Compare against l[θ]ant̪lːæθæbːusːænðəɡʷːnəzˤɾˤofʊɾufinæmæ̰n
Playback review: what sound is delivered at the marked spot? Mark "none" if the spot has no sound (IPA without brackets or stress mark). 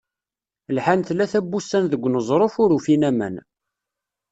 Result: ħ